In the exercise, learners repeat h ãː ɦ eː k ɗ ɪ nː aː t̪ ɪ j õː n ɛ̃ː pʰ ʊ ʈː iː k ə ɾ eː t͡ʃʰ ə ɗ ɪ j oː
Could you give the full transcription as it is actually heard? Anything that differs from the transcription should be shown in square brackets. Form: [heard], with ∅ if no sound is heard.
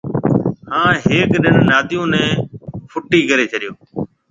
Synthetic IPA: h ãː ɦ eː k ɗ ɪ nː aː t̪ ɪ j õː n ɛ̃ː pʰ ʊ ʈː iː k ə ɾ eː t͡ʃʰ ə ɗ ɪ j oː